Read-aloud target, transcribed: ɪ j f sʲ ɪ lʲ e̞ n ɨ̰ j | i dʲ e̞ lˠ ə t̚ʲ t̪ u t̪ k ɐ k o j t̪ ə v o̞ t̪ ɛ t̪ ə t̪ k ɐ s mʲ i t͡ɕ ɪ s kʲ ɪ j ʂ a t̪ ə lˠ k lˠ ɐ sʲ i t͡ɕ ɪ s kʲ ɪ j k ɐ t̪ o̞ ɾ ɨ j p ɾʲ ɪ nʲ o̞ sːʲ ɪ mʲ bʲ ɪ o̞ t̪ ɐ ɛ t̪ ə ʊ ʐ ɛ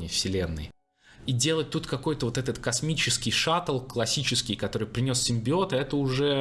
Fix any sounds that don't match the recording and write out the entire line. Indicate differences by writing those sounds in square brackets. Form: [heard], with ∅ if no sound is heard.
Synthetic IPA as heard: ɪ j f sʲ ɪ lʲ e̞ [nː] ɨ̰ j | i dʲ e̞ lˠ ə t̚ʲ t̪ u t̪ k ɐ k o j t̪ ə v o̞ t̪ ɛ t̪ ə t̪ k ɐ s mʲ i t͡ɕ ɪ s kʲ ɪ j ʂ a t̪ ə lˠ k lˠ ɐ sʲ i t͡ɕ ɪ s kʲ ɪ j k ɐ t̪ o̞ ɾ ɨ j p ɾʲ ɪ nʲ o̞ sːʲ ɪ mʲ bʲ ɪ o̞ t̪ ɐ ɛ t̪ ə ʊ ʐ ɛ